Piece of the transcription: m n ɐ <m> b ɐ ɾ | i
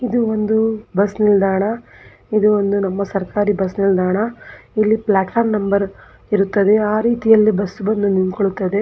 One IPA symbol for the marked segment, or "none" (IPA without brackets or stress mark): m